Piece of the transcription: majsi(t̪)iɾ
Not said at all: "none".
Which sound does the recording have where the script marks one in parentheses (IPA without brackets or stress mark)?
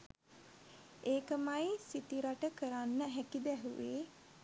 t̪